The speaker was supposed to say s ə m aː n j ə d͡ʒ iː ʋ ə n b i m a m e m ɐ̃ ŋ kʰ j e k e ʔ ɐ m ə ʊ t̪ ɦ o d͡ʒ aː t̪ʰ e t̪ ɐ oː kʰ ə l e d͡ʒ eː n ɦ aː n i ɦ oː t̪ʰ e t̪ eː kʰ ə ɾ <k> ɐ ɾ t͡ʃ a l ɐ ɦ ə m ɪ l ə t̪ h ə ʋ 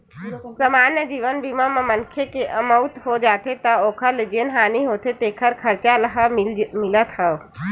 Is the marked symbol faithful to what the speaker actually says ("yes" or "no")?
no